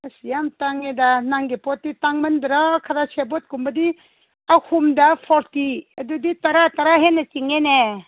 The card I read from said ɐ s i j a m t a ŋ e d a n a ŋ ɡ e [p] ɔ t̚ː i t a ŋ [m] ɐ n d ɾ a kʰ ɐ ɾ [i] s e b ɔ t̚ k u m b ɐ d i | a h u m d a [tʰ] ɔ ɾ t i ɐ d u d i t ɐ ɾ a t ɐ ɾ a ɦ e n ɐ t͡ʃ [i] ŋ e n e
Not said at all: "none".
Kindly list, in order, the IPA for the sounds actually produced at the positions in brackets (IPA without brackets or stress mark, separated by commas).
p, m, a, pʰ, i